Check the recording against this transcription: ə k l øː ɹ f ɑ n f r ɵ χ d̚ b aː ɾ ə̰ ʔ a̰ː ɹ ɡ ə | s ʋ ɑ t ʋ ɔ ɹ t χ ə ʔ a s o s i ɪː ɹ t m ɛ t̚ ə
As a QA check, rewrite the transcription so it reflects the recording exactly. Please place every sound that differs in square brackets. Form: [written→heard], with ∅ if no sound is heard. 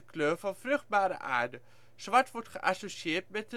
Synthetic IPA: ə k l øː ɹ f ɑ n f r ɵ χ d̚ b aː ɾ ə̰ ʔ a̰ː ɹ [ɡ→d] ə | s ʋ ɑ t ʋ ɔ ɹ t χ ə ʔ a s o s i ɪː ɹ t m ɛ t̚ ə